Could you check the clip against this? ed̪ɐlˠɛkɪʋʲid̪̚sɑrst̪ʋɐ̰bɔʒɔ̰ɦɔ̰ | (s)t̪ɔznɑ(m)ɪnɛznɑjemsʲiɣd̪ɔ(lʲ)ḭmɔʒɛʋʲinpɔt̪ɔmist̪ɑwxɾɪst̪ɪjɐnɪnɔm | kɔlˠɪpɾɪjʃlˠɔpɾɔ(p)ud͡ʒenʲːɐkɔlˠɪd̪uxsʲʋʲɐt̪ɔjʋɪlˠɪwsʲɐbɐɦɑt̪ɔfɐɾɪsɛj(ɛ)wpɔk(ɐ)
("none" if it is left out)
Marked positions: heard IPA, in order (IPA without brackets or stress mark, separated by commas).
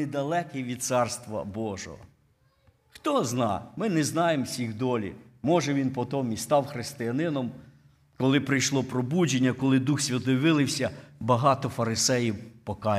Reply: x, m, lʲ, b, i, ɑ